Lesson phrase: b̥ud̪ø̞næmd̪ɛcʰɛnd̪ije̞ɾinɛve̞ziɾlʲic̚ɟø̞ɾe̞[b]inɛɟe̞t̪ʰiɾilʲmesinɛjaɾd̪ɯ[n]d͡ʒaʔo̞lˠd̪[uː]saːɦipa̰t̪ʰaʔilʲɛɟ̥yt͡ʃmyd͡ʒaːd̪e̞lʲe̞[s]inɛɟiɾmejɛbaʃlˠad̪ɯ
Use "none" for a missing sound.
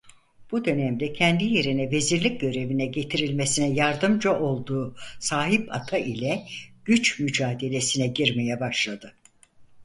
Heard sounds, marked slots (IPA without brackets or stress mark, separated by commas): v, m, uː, s